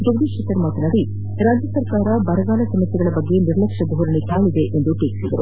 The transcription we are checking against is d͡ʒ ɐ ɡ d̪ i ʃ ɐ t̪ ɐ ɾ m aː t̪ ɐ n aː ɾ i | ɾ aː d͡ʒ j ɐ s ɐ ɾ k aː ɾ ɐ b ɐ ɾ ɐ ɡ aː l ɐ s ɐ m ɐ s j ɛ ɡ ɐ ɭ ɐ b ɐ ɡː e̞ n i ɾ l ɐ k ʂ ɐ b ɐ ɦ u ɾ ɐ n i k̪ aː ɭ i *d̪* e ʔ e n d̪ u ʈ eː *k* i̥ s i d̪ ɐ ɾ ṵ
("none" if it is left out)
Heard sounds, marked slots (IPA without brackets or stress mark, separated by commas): d̪, k